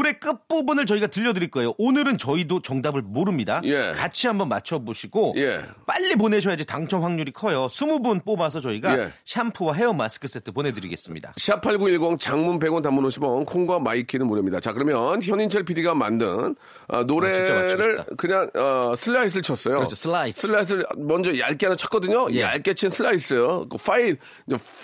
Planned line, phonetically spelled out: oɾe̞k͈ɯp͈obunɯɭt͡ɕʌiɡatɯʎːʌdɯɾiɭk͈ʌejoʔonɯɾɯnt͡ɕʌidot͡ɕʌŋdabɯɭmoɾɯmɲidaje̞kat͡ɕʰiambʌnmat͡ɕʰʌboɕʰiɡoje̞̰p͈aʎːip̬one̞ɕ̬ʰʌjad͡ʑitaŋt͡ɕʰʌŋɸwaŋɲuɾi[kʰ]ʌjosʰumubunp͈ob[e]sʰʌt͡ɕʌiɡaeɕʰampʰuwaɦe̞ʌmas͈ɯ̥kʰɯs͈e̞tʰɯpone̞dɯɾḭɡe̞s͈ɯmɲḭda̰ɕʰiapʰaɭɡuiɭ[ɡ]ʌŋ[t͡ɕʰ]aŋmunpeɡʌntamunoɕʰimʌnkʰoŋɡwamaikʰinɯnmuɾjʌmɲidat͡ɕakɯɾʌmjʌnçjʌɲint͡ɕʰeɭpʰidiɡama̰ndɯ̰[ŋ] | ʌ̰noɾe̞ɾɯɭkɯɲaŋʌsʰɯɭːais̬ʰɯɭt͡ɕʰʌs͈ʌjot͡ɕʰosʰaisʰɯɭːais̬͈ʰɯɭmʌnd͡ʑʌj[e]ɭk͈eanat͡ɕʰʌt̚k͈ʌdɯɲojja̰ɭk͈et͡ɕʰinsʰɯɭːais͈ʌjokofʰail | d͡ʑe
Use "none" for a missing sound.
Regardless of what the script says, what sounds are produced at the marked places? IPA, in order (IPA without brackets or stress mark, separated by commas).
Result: kʰ, a, ɡ, t͡ɕ, n, a